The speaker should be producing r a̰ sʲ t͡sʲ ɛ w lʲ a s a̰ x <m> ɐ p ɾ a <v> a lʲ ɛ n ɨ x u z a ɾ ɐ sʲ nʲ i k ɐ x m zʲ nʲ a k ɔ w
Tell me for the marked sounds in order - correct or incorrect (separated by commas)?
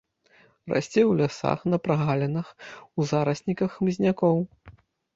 incorrect, incorrect